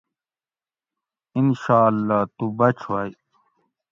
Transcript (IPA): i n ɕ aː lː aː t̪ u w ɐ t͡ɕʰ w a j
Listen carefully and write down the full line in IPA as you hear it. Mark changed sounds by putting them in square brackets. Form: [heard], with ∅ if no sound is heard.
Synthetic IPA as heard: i n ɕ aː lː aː t̪ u [b] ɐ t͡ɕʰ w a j